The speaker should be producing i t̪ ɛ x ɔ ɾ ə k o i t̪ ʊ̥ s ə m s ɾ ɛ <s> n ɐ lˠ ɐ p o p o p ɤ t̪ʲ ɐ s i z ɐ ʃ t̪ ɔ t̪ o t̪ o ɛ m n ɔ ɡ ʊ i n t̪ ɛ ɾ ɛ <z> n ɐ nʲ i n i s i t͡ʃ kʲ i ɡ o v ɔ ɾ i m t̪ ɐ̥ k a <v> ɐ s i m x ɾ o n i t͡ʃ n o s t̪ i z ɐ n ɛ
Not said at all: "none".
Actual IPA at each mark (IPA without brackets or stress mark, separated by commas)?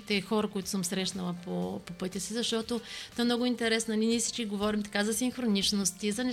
ʃ, s, z